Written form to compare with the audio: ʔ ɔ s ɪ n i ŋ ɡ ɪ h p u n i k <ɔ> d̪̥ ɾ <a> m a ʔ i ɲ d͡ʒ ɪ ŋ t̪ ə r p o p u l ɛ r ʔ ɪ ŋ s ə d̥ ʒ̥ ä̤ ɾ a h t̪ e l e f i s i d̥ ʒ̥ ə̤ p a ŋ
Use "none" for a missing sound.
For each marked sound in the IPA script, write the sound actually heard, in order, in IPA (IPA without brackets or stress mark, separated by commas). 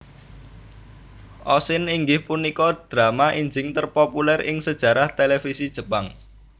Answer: ɔ, a